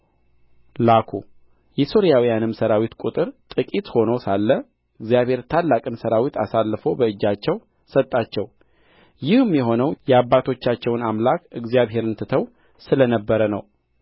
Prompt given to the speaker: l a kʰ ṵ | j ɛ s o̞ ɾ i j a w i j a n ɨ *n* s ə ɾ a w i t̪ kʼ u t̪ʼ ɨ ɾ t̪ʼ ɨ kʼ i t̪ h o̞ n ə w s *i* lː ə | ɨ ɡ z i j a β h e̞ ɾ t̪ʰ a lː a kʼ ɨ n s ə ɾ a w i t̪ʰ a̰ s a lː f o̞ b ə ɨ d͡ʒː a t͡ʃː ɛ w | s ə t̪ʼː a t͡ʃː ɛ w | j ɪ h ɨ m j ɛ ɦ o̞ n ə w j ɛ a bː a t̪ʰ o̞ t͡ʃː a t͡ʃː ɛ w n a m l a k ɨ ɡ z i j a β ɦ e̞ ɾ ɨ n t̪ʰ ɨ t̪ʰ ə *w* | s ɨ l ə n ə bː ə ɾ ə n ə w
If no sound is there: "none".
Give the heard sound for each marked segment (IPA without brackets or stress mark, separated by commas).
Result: m, a, w